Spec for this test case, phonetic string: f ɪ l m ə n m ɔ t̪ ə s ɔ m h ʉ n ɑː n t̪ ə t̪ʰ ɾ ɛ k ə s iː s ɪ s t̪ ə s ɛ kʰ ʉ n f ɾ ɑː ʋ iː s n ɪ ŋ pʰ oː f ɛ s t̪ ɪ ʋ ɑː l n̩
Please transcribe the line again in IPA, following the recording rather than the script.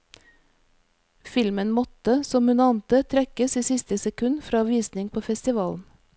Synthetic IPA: f ɪ l m ə n m ɔ t̪ ə s ɔ m h ʉ n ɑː n t̪ ə t̪ʰ ɾ ɛ k ə s iː s ɪ s t̪ ə s ɛ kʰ ʉ n f ɾ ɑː ʋ iː s n ɪ ŋ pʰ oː f ɛ s t̪ ɪ ʋ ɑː l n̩